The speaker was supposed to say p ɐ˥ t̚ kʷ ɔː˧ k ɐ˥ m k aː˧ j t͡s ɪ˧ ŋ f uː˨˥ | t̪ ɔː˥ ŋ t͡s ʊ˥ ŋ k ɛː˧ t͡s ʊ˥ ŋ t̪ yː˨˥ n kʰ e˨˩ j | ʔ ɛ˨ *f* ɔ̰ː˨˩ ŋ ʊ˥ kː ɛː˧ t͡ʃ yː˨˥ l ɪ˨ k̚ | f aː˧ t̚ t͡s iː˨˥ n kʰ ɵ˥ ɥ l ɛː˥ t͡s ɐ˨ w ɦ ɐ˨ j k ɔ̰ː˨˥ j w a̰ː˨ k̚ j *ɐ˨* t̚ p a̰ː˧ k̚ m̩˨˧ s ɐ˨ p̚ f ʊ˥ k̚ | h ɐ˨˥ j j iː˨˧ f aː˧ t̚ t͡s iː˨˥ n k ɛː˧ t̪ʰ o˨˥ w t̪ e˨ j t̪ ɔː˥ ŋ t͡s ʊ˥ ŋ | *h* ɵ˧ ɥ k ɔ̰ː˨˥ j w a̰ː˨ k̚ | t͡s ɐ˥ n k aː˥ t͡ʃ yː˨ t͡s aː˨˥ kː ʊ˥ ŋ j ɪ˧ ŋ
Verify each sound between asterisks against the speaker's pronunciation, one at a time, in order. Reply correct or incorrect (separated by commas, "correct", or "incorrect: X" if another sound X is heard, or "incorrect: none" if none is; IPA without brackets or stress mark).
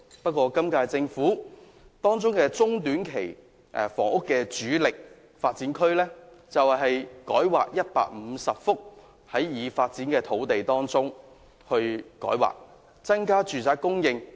correct, incorrect: ɐ˥, correct